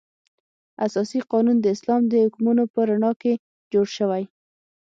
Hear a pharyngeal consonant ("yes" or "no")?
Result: no